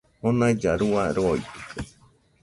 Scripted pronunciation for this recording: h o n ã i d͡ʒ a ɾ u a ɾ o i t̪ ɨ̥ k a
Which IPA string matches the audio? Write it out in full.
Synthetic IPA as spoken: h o n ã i d͡ʒ a ɾ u a ɾ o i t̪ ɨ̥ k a

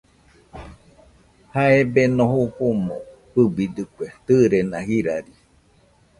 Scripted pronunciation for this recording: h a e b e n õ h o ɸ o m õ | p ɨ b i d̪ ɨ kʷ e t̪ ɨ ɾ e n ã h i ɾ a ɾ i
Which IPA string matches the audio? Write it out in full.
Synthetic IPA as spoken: h a e b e n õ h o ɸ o m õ | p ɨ b i d̪ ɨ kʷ e t̪ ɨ ɾ e n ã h i ɾ a ɾ i

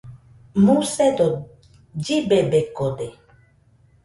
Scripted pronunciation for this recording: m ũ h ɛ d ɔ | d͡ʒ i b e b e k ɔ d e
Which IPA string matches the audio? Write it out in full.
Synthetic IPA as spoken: m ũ s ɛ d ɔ | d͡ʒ i b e b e k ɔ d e

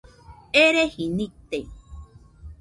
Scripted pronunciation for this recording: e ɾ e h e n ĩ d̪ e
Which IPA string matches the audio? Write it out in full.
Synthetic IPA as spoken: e ɾ e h i n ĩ t̪ e

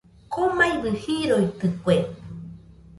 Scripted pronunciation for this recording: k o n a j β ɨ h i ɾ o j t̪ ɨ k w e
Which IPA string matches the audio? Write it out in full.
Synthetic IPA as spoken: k o m a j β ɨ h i ɾ o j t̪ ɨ k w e

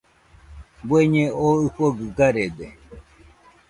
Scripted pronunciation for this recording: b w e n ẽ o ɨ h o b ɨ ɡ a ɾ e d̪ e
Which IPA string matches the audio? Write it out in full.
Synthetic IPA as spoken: b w e ɲ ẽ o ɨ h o ɡ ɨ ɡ a ɾ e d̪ e

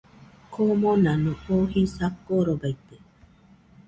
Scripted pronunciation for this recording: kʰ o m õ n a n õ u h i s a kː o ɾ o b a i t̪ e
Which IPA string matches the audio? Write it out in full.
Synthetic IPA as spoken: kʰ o m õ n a n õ o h i s a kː o ɾ o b a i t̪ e

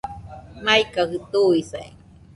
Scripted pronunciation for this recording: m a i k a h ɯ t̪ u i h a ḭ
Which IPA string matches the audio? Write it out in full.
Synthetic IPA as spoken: m a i k a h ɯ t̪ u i s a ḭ

